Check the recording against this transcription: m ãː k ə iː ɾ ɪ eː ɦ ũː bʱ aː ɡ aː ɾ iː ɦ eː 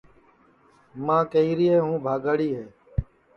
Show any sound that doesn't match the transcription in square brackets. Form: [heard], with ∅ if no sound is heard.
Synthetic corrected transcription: m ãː k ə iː ɾ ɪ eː ɦ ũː bʱ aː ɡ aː [ɽ] iː ɦ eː